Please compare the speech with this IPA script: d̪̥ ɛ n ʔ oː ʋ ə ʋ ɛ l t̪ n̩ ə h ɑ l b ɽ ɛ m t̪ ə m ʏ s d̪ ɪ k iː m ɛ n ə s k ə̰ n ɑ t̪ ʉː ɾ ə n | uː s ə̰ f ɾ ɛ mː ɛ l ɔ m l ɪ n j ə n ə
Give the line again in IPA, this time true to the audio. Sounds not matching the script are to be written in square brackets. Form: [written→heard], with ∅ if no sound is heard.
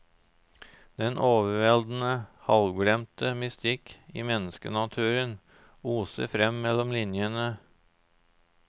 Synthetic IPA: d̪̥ ɛ n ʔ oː ʋ ə ʋ ɛ l [t̪→d̪] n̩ ə h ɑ l [b→ɡ] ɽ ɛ m t̪ ə m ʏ s [d̪→t̪] ɪ k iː m ɛ n ə s k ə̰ n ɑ [t̪→t̪ʰ] ʉː ɾ ə n | uː s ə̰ f ɾ ɛ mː ɛ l ɔ m l ɪ n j ə n ə